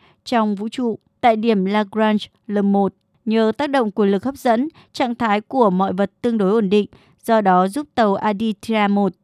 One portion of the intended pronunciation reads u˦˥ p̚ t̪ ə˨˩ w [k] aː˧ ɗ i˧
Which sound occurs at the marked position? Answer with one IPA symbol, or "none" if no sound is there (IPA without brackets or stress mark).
ʔ